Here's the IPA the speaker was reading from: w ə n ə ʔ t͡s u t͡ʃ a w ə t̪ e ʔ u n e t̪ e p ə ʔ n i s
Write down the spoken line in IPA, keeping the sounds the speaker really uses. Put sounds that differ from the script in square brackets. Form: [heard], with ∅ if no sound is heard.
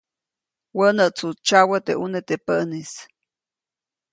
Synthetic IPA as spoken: w ə n ə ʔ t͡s u t͡ʃ a w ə t̪ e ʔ u n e t̪ e p ə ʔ n i s